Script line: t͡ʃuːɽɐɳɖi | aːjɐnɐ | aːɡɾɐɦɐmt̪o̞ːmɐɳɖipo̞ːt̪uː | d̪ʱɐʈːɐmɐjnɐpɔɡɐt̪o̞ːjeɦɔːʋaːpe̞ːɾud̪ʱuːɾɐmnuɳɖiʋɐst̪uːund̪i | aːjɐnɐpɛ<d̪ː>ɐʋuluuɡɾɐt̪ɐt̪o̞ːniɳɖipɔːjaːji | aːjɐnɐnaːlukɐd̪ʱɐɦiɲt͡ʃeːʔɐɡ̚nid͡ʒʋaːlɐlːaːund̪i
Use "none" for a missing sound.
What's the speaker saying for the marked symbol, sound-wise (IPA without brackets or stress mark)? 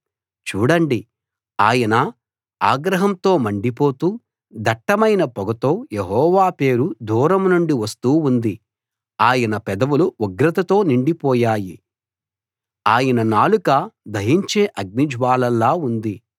d̪